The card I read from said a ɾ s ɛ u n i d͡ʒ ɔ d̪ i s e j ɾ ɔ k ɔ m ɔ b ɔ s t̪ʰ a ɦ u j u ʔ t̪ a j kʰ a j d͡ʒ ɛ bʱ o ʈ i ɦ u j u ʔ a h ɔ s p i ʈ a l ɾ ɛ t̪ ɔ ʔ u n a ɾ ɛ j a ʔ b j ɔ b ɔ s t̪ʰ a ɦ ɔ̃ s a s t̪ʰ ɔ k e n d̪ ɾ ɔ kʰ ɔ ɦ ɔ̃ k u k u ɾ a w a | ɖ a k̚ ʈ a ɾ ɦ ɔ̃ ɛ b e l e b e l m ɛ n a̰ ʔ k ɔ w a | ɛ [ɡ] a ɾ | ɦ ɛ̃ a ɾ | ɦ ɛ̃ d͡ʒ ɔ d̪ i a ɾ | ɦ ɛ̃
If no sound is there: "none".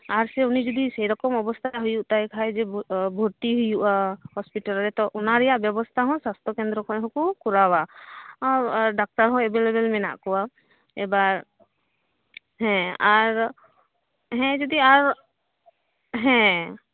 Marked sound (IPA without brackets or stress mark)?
b